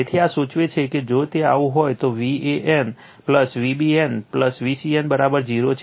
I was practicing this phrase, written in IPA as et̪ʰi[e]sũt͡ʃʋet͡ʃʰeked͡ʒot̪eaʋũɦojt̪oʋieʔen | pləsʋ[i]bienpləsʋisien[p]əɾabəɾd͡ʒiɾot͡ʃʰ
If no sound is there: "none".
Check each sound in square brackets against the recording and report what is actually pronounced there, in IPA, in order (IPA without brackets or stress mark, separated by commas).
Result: a, i, b